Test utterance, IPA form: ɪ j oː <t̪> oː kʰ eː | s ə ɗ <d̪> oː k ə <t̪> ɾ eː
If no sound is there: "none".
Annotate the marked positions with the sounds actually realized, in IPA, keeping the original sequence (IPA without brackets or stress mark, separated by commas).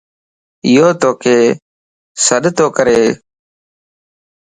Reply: t̪, t̪, none